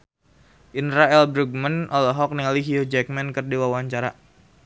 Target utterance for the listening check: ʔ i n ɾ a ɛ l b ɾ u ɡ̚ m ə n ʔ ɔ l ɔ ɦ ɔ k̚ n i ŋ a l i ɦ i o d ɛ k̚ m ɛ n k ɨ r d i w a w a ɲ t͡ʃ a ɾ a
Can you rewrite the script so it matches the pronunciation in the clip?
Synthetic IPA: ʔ i n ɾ a ɛ l b ɾ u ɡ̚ m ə n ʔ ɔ l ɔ ɦ ɔ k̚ n i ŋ a l i ɦ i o d͡ʒ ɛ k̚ m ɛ n k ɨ r d i w a w a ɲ t͡ʃ a ɾ a